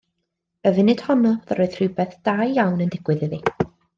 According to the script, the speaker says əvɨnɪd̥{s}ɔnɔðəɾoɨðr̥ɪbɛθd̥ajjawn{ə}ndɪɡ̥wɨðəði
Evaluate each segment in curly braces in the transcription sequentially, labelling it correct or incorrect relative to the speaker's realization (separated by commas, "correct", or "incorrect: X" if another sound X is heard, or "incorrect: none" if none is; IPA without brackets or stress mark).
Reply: incorrect: h, correct